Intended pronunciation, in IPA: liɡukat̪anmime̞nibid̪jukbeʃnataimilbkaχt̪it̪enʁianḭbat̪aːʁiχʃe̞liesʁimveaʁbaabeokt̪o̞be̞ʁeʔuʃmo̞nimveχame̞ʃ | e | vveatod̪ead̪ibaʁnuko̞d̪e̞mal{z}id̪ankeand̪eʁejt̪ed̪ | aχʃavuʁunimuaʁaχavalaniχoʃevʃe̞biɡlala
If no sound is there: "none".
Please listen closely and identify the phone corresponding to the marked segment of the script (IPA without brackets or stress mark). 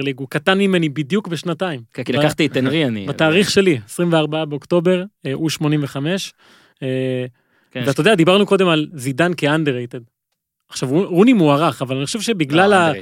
z